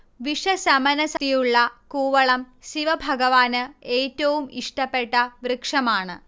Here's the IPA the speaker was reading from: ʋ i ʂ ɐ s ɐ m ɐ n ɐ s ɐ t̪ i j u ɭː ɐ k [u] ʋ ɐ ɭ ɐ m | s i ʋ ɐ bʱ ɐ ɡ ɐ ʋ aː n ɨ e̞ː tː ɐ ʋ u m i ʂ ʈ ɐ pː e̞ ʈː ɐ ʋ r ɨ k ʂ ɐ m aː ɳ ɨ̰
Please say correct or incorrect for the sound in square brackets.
incorrect